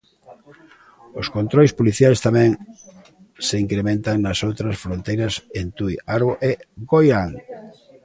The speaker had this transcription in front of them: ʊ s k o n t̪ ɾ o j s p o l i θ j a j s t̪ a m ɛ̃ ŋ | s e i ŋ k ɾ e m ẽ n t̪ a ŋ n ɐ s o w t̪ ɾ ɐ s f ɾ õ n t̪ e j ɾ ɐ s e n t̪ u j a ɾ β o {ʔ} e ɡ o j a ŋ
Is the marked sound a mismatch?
no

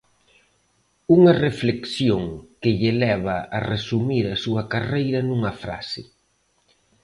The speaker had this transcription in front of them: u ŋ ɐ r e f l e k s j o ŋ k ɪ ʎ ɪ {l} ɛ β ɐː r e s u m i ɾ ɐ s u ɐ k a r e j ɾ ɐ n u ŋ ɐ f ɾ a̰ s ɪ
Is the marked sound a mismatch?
no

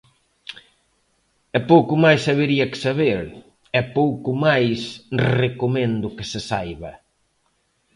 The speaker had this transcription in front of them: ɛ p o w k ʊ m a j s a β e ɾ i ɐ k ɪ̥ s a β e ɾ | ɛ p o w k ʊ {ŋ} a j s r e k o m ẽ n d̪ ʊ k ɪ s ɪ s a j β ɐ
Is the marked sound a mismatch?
yes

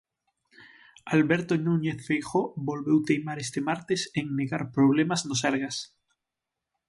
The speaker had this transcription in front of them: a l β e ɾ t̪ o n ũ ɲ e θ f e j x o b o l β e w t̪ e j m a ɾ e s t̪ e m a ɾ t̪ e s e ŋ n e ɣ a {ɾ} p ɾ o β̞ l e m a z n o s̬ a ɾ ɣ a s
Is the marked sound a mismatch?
no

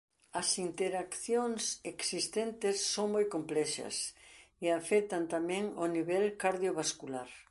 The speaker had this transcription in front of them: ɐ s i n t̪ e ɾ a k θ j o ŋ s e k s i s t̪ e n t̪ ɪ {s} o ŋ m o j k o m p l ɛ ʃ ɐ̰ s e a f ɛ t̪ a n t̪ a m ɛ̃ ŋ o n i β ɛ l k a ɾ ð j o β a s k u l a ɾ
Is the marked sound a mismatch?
yes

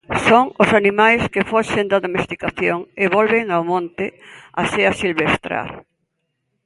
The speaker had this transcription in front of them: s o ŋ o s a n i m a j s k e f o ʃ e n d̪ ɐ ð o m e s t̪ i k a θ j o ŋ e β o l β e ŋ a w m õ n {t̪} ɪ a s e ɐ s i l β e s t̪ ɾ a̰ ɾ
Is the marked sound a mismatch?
no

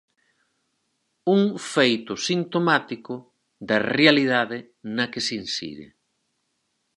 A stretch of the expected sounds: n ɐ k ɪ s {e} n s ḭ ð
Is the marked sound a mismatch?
yes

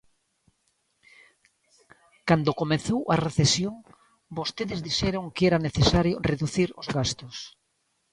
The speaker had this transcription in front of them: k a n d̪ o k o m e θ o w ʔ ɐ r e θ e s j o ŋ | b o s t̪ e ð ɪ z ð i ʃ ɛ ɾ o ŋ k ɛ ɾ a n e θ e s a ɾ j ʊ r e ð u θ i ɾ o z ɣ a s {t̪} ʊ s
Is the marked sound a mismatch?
no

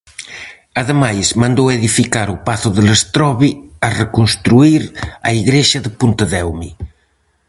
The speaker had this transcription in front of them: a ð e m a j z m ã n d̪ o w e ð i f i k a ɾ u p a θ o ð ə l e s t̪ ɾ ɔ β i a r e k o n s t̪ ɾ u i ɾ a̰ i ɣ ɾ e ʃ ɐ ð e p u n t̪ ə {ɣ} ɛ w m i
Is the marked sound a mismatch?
yes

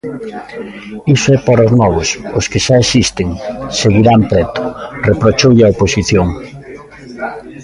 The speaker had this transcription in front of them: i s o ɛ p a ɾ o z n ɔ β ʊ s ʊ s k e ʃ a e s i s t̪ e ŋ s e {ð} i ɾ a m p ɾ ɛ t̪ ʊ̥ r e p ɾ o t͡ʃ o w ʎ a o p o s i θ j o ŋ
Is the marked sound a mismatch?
yes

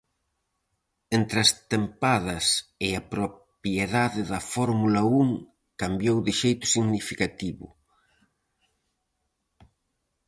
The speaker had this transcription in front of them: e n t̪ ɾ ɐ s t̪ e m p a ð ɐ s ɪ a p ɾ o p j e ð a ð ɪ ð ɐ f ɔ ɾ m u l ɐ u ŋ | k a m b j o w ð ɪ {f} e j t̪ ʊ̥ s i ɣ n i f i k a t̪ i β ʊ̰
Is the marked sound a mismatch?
yes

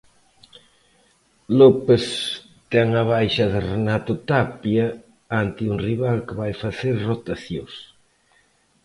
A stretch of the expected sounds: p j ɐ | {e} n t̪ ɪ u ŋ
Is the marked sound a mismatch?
yes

